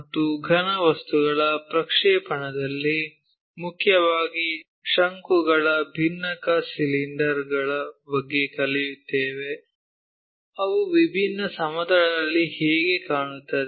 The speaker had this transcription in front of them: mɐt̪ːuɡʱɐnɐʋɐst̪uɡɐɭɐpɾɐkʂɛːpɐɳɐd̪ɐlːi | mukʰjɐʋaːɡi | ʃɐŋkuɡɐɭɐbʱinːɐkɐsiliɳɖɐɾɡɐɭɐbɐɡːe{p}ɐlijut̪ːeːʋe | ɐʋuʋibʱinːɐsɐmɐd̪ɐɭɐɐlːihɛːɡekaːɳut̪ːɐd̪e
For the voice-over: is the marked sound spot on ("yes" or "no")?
no